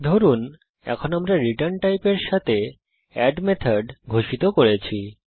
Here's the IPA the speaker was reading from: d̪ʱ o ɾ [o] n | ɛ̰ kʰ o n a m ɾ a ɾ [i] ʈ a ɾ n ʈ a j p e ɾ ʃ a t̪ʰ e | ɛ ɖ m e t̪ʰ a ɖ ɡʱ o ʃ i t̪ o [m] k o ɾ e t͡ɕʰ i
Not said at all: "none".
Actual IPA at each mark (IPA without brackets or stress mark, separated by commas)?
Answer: u, i, none